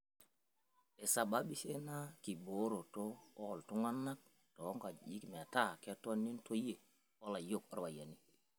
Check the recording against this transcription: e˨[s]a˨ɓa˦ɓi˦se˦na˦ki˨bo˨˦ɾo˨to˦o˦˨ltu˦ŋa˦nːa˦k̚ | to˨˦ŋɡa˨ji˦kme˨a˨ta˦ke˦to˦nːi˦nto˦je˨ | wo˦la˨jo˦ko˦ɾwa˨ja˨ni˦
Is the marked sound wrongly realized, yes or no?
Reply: no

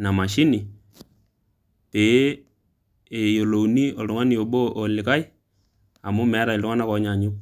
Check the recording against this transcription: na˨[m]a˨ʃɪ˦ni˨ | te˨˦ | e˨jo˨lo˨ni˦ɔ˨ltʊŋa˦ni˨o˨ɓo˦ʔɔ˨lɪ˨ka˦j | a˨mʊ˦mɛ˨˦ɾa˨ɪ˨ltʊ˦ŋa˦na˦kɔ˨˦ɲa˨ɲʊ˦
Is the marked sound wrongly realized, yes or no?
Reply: no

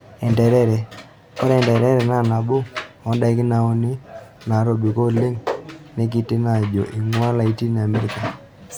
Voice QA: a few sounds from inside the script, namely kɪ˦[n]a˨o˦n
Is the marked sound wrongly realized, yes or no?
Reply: no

